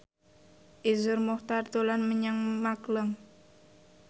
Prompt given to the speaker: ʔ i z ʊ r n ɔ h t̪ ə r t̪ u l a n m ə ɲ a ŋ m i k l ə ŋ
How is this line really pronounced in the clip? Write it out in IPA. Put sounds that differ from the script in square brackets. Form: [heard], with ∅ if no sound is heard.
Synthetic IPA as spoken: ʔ i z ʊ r [m] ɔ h t̪ [a] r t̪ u l a n m ə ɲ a ŋ m [a] k l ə ŋ